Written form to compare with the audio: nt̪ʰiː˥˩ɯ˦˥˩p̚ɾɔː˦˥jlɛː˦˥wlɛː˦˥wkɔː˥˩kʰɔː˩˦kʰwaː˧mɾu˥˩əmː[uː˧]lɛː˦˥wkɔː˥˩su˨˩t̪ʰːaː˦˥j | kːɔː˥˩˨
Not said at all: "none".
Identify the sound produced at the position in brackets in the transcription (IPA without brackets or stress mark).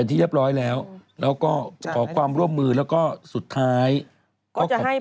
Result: ɯː˧